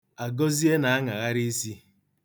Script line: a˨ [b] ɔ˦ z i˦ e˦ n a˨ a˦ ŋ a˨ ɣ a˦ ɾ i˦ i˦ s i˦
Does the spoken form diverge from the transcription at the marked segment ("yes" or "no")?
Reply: yes